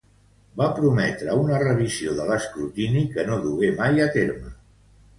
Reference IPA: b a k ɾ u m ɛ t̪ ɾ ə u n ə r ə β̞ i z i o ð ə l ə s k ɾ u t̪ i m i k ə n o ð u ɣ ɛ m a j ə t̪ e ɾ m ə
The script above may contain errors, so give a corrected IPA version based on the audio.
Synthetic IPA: b a p ɾ u m ɛ t̪ ɾ ə u n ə r ə β̞ i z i o ð ə l ə s k ɾ u t̪ i n i k ə n o ð u ɣ e m a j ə t̪ e ɾ m ə

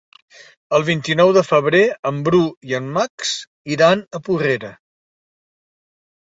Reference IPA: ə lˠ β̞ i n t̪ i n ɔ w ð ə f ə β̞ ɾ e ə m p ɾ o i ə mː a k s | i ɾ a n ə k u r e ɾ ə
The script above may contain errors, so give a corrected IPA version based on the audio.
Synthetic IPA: ə lˠ β̞ i n t̪ i n ɔ w ð ə f ə β̞ ɾ e ə m b ɾ u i ə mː a k s | i ɾ a n ə p u r e ɾ ə

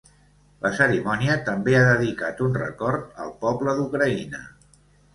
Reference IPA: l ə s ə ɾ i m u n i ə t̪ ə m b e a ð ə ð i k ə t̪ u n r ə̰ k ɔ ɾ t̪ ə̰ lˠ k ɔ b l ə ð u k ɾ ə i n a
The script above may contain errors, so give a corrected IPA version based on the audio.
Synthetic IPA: l ə s ə ɾ i m ɔ n i ə t̪ ə m b e a ð ə ð i k a t̪ u n r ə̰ k ɔ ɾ t̪ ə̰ lˠ p ɔ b l ə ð u k ɾ ə i n ə

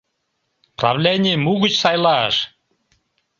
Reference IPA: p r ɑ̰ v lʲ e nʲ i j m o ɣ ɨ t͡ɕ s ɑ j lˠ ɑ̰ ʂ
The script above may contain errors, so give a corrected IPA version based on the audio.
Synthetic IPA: p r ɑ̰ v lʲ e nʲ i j m u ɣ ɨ t͡ɕ s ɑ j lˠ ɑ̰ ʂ

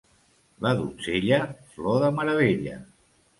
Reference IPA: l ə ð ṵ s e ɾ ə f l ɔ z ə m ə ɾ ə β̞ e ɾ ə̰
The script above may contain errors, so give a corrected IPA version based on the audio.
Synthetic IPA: l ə ð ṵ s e ʎ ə f l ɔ ð ə m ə ɾ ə β̞ e ʎ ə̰

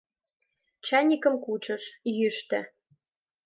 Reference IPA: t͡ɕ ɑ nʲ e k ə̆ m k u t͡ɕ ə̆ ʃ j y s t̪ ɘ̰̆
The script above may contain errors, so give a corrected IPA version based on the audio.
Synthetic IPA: t͡ɕ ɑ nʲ i k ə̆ m k u t͡ɕ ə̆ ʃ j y ʃ t̪ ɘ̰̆

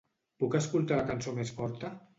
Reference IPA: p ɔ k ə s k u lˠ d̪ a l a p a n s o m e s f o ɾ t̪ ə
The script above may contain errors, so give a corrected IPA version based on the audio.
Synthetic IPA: p u k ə s k u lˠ t̪ a l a k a n s o m e s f ɔ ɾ t̪ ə

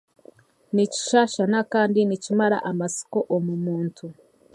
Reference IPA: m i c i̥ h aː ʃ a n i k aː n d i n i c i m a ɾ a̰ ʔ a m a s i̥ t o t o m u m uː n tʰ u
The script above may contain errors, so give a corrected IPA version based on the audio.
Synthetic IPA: n i c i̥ ʃ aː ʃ a n a k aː n d i n i c i m a ɾ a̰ ʔ a m a s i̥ k o ʔ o m u m uː n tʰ u

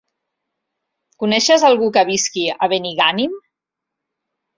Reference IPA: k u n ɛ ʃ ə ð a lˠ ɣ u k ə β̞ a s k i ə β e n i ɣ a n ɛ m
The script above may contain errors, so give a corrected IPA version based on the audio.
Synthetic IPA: k u n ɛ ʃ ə z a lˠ ɣ u k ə β̞ i s k i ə β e n i ɣ a n i m

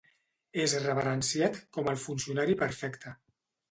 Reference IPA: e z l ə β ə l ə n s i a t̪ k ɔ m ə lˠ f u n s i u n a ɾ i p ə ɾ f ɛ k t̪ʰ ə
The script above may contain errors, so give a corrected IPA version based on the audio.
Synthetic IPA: e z r ə β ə ɾ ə n s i a t̪ k ɔ m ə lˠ f u n s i u n a ɾ i p ə ɾ f ɛ k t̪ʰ ə

